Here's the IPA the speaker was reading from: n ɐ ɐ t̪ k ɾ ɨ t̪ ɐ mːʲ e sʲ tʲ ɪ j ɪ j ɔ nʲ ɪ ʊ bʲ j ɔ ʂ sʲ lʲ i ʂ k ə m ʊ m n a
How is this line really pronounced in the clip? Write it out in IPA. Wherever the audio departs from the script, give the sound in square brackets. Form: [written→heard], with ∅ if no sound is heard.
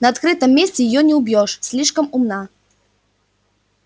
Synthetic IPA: n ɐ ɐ t̪ k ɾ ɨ t̪ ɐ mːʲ e sʲ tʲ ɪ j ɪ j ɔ nʲ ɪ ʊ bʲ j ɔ ʂ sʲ lʲ i ʂ k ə m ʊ m n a